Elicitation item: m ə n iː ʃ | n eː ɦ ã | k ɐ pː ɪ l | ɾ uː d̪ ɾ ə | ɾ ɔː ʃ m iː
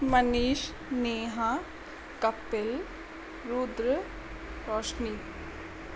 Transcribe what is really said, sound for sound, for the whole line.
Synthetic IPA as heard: m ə n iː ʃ | n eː ɦ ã | k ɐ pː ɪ l | ɾ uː d̪ ɾ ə | ɾ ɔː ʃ n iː

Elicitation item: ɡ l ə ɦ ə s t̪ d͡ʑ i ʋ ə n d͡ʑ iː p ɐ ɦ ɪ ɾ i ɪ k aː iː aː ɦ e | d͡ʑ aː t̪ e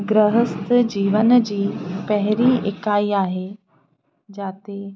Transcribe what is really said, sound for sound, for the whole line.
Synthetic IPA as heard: ɡ ɾ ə ɦ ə s t̪ d͡ʑ iː ʋ ə n d͡ʑ iː p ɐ ɦ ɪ ɾ i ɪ k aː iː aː ɦ e | d͡ʑ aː t̪ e

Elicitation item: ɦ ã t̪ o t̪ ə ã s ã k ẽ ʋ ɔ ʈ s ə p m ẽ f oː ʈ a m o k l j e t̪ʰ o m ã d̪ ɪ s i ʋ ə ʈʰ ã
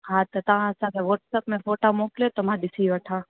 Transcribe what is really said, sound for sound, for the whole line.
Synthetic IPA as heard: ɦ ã t̪ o t̪ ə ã s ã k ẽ ʋ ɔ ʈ s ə p m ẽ f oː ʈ a m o k l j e t̪ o m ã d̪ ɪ s i ʋ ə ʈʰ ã

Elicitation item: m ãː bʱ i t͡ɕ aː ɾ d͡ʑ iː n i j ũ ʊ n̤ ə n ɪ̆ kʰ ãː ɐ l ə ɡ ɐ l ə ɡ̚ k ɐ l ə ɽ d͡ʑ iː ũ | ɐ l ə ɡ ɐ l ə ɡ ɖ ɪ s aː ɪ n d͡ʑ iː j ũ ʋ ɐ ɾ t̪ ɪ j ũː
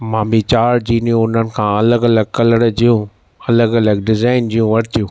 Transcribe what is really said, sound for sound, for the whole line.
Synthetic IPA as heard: m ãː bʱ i t͡ɕ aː ɾ d͡ʑ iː n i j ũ ʊ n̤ ə n ɪ̆ kʰ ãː ɐ l ə ɡ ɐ l ə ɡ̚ k ɐ l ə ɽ d͡ʑ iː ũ | ɐ l ə ɡ ɐ l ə ɡ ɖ ɪ z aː ɪ n d͡ʑ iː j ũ ʋ ɐ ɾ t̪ i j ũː

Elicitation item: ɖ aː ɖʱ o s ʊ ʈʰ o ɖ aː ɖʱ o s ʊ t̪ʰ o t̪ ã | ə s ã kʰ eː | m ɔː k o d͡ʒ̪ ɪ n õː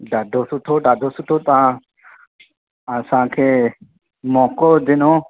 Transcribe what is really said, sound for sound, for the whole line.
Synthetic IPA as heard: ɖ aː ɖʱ o s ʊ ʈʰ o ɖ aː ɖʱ o s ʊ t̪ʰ o t̪ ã | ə s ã kʰ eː | m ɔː k o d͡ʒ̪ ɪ n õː

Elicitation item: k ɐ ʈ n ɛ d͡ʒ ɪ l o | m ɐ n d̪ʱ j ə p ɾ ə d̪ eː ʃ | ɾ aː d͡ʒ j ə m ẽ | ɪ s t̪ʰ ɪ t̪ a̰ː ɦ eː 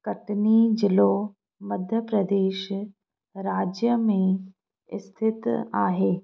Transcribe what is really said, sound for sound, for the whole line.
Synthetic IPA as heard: k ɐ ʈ n i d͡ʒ ɪ l o | m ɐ d̪ʱ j ə p ɾ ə d̪ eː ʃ | ɾ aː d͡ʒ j ə m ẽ | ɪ s t̪ʰ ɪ t̪ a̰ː ɦ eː

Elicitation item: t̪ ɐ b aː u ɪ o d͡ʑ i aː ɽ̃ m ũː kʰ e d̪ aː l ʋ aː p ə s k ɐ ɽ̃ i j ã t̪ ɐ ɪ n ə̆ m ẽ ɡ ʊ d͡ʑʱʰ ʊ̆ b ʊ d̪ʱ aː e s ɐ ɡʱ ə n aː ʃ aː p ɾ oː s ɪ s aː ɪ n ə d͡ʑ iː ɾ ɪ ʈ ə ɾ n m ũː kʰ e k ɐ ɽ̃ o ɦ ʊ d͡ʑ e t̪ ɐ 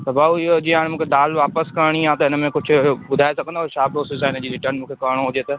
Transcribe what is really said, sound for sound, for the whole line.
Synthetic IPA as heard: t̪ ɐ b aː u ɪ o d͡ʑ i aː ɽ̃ m ũː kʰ e d̪ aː l ʋ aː p ə s k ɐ ɽ̃ i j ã t̪ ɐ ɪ n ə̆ m ẽ k ʊ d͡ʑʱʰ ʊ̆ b ʊ d̪ʱ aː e s ɐ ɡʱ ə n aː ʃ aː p ɾ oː s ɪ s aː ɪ n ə d͡ʑ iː ɾ ɪ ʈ ə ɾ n m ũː kʰ e k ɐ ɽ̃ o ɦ ʊ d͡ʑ e t̪ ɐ

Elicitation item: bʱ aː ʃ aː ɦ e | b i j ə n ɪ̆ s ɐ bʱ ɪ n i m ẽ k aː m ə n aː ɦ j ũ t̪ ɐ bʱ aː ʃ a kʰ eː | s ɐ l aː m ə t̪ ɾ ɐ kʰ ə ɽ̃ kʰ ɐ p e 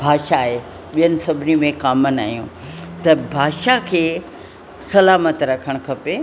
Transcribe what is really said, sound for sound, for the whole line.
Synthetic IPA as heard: bʱ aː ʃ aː ɦ e | ɓ i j ə n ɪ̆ s ɐ bʱ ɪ n i m ẽ k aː m ə n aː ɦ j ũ t̪ ɐ bʱ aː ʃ a kʰ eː | s ɐ l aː m ə t̪ ɾ ɐ kʰ ə ɽ̃ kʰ ɐ p e

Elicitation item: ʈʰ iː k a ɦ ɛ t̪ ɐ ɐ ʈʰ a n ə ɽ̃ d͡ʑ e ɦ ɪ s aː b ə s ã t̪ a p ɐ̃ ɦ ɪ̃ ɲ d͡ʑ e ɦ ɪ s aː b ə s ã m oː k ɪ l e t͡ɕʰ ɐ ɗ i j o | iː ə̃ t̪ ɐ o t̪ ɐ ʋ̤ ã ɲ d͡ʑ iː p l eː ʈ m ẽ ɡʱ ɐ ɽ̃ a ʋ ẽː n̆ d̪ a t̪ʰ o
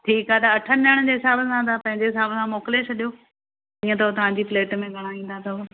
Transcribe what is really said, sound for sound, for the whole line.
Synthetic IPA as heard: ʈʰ iː k a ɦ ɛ t̪ ɐ ɐ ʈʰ ə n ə ɽ̃ d͡ʑ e ɦ ɪ s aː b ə s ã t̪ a p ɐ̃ ɦ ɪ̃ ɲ d͡ʑ e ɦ ɪ s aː b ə s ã m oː k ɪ l e t͡ɕʰ ɐ ɗ i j o | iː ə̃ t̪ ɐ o t̪ ɐ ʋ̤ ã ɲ d͡ʑ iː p l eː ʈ m ẽ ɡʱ ɐ ɽ̃ a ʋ ĩː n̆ d̪ a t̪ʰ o

